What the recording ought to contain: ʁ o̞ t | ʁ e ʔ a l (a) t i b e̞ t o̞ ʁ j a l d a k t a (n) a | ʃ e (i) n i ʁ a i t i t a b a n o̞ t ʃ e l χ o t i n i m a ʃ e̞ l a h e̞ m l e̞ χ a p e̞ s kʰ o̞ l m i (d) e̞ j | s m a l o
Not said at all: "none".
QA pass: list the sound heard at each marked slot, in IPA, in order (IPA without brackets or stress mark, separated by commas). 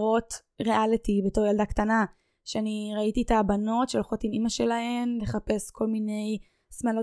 i, n, a, n